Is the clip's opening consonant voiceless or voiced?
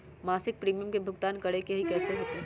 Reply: voiced